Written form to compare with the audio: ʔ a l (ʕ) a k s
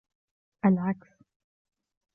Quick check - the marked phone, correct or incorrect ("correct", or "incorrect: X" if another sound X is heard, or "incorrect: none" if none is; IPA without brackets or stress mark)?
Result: correct